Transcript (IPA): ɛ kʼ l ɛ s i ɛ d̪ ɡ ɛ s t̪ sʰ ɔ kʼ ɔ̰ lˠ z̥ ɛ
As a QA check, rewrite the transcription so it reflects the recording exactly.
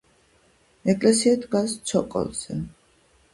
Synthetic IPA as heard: ɛ kʼ l ɛ s i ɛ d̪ ɡ a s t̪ sʰ ɔ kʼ ɔ̰ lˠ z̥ ɛ